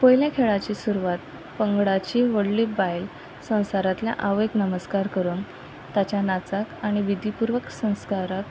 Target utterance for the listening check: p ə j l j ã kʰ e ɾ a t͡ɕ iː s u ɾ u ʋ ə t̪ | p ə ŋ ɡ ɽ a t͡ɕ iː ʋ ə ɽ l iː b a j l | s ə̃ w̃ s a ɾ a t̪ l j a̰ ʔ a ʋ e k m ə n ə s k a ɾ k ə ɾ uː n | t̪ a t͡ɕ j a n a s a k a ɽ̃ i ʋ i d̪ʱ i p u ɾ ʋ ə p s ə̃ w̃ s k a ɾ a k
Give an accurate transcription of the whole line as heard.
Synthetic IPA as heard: p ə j l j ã kʰ e ɭ a t͡ɕ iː s u ɾ u ʋ a t̪ | p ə ŋ ɡ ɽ a t͡ɕ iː ʋ ə ɽ l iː b a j l | s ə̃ w̃ s a ɾ a t̪ l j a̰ ʔ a ʋ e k n ə m ə s k a ɾ k ə ɾ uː n | t̪ a t͡ɕ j a n a t͡s a k a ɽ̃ i ʋ i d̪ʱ i p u ɾ ʋ ə k s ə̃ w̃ s k a ɾ a k